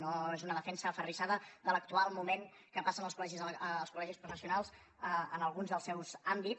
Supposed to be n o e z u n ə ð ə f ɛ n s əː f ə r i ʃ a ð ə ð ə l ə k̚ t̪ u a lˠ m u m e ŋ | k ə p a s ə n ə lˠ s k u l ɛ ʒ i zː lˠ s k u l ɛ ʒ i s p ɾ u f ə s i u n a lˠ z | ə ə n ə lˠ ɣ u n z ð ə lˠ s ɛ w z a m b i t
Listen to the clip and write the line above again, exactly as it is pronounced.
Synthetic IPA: n o e z u n ə ð ə f ɛ n s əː f ə r i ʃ a ð ə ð ə l ə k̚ t̪ u a lˠ m u m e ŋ | k ə p a s ə n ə lˠ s k u l ɛ ʒ i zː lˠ s k u l ɛ ʒ i s p ɾ u f ə s i u n a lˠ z | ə ə n ə lˠ ɣ u n z ð ə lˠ s ɛ w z a m b i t